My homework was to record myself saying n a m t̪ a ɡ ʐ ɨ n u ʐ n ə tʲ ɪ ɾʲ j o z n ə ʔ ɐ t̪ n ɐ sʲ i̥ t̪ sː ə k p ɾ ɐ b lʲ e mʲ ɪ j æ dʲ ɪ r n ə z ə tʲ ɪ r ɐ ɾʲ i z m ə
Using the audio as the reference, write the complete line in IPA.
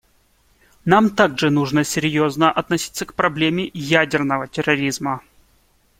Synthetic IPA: n a m t̪ a ɡ ʐ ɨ n u ʐ n ə sʲ ɪ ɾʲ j o z n ə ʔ ɐ t̪ n ɐ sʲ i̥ t̪ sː ə k p ɾ ɐ b lʲ e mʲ ɪ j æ dʲ ɪ r n ə v ə tʲ ɪ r ɐ ɾʲ i z m ə